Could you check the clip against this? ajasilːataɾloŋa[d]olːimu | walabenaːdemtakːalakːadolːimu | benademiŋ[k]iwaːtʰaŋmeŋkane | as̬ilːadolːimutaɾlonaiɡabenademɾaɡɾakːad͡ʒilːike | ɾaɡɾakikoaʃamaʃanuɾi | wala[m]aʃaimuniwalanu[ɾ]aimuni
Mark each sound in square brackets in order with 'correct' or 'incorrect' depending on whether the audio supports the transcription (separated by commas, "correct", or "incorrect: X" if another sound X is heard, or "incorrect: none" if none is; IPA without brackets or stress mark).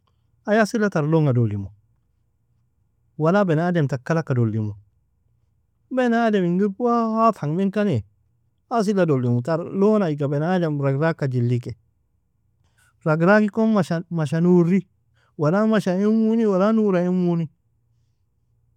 correct, incorrect: ɡ, correct, correct